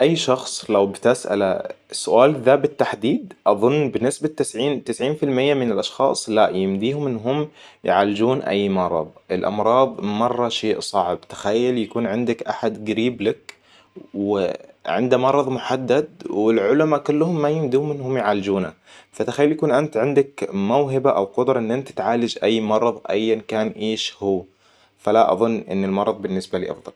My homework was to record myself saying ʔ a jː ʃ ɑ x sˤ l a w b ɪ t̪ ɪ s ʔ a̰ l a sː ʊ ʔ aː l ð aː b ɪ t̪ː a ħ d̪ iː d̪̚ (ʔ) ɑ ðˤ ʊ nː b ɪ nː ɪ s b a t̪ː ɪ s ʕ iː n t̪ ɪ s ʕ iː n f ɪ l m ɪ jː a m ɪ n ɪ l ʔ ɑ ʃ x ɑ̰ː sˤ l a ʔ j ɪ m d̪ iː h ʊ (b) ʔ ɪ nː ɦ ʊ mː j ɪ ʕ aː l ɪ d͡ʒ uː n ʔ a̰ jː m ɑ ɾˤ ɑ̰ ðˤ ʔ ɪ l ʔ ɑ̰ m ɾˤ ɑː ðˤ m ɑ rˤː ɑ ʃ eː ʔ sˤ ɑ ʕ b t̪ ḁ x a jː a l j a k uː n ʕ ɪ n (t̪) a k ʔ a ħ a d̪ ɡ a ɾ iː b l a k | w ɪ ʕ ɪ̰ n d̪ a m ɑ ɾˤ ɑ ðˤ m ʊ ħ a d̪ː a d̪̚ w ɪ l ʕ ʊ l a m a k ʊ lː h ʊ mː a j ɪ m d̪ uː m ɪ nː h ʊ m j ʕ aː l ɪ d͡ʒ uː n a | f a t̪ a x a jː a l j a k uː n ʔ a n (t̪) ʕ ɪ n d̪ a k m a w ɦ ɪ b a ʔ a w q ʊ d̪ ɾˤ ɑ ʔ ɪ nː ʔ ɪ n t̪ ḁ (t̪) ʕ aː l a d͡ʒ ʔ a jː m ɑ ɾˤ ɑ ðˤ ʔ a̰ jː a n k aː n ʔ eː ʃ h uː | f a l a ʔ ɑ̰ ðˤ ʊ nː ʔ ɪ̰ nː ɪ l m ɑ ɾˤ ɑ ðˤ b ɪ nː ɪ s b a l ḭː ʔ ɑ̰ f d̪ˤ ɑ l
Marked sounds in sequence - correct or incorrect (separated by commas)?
correct, incorrect, incorrect, correct, correct